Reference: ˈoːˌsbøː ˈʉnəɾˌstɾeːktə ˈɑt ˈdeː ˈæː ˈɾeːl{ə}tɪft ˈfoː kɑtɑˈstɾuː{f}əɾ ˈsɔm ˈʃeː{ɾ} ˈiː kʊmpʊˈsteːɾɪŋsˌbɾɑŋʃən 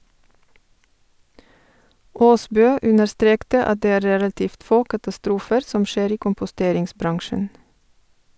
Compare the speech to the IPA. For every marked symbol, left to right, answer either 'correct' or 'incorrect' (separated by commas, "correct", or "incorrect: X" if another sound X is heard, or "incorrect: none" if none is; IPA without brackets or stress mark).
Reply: incorrect: ɑ, correct, correct